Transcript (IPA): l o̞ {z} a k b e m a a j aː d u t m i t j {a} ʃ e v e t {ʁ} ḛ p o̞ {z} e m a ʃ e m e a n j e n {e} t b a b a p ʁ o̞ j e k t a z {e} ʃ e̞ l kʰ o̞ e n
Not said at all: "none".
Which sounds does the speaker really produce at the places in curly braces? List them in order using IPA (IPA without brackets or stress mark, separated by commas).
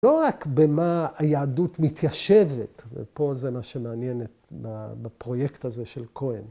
ʁ, a, v, z, e, e